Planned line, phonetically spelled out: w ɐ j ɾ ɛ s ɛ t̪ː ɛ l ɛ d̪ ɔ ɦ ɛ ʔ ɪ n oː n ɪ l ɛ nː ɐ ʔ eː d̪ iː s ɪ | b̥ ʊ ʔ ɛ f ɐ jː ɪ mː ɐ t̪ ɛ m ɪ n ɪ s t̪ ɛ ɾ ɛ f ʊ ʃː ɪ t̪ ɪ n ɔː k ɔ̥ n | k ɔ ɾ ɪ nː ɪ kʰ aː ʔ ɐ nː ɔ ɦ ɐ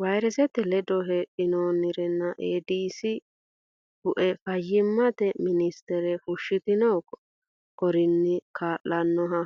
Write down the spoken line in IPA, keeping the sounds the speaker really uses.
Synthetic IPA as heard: w ɐ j ɾ ɛ s ɛ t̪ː ɛ l ɛ d̪ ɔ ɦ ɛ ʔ ɪ n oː n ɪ ɾ ɛ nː ɐ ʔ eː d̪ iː s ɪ | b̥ ʊ ʔ ɛ f ɐ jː ɪ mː ɐ t̪ ɛ m ɪ n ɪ s t̪ ɛ ɾ ɛ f ʊ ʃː ɪ t̪ ɪ n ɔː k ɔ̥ | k ɔ ɾ ɪ nː ɪ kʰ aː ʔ ɐ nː ɔ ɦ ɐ